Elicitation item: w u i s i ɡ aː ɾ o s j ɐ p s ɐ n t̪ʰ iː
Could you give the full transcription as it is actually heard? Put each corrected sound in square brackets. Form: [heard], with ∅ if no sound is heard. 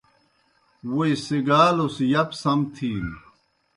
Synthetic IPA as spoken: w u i s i ɡ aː [l] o s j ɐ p s ɐ [m] t̪ʰ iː